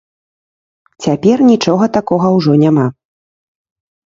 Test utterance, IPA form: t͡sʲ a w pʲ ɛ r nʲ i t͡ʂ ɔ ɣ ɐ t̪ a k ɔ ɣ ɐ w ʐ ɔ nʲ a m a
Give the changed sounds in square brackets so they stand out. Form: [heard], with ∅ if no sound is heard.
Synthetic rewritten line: t͡sʲ a [∅] pʲ ɛ r nʲ i t͡ʂ ɔ ɣ ɐ t̪ a k ɔ ɣ ɐ w ʐ ɔ nʲ a m a